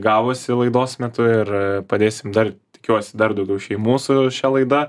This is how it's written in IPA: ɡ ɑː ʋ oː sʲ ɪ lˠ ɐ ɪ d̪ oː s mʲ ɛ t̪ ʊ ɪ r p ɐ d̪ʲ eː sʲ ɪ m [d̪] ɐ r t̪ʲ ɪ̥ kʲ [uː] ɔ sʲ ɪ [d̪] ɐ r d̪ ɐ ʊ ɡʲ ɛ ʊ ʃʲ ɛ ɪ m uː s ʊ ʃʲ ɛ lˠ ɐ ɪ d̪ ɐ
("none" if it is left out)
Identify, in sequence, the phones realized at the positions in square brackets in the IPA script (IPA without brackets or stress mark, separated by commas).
d̪, u, d̪